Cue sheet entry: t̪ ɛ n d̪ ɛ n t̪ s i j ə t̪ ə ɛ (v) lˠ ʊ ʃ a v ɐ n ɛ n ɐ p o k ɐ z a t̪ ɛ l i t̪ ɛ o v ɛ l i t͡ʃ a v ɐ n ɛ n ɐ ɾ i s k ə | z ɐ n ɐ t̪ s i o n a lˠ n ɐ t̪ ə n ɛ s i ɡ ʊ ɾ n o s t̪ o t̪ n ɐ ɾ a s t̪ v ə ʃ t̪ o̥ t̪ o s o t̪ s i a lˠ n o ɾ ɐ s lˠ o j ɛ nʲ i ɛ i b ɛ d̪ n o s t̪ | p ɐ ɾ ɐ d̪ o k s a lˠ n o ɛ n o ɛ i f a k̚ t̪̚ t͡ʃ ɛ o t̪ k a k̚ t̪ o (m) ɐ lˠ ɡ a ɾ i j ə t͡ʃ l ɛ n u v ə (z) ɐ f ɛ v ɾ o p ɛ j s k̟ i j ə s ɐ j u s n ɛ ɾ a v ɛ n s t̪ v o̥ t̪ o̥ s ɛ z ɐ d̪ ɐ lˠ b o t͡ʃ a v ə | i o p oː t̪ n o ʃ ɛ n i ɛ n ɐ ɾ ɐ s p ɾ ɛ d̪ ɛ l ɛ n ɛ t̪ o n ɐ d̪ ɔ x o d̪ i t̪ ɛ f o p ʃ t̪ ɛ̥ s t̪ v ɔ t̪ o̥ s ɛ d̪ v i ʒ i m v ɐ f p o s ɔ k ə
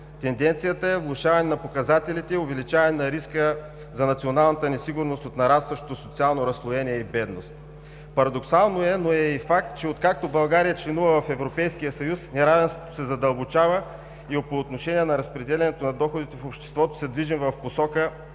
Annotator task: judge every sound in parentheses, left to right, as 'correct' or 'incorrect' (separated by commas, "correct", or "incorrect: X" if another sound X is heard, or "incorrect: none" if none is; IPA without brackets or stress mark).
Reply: correct, incorrect: b, incorrect: v